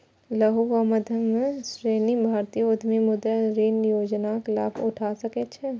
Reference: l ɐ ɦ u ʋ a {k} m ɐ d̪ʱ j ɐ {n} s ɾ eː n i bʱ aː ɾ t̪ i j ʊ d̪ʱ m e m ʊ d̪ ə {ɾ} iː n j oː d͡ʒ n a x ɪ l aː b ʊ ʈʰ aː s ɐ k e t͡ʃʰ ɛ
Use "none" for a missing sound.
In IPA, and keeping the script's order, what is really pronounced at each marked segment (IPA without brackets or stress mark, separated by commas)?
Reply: none, m, ɾ